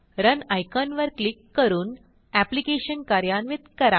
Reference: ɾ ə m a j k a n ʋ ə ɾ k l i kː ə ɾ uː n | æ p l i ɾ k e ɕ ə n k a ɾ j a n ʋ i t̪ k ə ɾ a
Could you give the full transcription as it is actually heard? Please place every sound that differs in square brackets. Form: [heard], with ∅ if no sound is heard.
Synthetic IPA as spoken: ɾ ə [n] a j k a n ʋ ə ɾ k l i kː ə ɾ uː n | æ p l i [∅] k e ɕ ə n k a ɾ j a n ʋ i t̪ k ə ɾ a